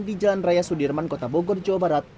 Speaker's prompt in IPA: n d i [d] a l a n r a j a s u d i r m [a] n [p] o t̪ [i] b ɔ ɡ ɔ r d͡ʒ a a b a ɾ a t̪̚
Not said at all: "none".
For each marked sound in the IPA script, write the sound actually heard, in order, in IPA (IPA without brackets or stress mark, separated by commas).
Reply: d͡ʒ, a, k, a